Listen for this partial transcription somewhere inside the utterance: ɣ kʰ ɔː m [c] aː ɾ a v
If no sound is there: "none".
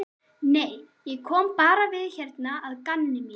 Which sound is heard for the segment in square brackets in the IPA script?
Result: p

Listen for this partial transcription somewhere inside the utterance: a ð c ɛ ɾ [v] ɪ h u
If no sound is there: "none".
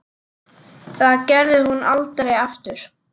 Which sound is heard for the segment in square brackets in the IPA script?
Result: ð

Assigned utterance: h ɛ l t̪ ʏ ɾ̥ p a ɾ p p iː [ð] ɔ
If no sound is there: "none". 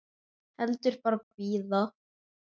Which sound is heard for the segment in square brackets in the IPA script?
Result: ð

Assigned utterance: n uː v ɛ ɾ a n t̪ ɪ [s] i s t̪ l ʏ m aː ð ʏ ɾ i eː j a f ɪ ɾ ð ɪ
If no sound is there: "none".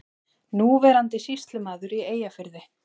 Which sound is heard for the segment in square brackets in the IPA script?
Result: s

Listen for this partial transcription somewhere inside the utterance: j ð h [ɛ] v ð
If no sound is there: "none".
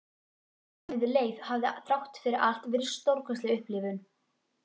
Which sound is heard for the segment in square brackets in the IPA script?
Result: a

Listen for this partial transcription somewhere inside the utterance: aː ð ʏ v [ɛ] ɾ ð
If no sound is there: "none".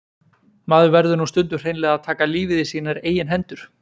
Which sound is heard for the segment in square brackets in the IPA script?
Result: ɛ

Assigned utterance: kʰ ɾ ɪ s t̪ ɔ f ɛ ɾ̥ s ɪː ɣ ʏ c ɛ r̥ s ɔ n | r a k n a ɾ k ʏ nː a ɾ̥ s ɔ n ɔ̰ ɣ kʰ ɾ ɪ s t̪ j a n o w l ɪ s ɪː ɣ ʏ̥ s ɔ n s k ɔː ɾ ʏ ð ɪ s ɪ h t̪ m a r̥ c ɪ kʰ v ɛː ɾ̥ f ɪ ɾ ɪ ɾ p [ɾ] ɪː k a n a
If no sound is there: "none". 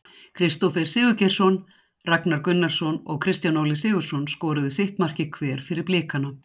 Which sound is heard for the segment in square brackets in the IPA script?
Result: l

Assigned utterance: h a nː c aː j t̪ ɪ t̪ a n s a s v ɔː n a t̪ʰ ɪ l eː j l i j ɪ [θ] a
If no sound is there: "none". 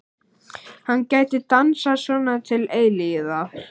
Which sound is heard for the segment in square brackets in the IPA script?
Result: ð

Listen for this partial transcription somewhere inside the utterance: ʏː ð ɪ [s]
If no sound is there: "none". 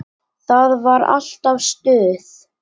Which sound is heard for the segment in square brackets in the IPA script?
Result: θ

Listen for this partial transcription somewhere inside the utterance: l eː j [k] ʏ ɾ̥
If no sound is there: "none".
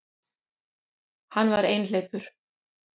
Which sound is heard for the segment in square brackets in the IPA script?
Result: p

